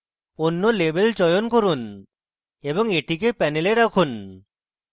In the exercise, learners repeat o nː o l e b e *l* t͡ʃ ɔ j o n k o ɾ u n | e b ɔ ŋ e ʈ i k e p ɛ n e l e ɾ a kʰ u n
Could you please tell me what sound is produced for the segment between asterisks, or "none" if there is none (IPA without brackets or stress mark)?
l